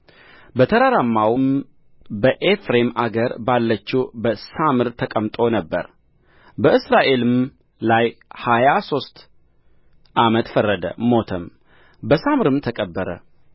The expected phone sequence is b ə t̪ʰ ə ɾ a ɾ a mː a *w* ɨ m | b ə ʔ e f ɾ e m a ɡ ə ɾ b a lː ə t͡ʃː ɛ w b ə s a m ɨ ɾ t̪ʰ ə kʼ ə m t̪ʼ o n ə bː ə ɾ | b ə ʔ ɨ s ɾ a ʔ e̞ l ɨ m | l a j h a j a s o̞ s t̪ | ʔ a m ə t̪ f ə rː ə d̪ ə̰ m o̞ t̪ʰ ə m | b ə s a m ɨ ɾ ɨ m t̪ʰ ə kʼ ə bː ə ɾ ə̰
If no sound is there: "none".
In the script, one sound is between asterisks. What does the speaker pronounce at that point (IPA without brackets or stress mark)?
w